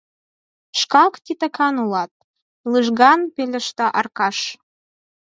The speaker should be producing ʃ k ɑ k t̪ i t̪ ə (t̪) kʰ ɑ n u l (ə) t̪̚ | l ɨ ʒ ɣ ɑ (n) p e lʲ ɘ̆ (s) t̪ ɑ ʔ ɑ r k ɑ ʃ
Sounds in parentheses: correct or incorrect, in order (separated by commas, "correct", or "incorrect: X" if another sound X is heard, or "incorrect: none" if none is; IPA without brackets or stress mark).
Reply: incorrect: none, incorrect: ɑ, correct, incorrect: ʃ